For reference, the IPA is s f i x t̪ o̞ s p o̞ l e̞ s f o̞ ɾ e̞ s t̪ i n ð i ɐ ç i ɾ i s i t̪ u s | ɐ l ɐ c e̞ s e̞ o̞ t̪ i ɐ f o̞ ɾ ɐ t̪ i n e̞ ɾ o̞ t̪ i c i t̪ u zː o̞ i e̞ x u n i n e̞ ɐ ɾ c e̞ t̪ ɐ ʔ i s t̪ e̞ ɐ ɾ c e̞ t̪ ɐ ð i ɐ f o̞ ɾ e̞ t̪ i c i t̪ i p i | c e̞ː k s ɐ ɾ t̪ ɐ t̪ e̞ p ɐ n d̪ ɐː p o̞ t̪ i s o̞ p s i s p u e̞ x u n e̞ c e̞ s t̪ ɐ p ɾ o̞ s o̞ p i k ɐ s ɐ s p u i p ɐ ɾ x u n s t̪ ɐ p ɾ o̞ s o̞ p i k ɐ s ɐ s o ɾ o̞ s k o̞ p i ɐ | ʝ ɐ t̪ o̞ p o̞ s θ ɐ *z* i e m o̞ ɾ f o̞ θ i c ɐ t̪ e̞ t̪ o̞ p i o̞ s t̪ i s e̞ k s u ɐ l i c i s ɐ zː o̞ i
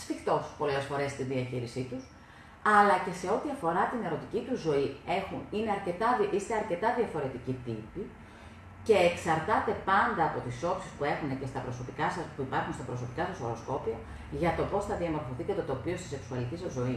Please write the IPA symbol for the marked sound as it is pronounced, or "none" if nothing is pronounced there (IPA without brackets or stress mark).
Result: ð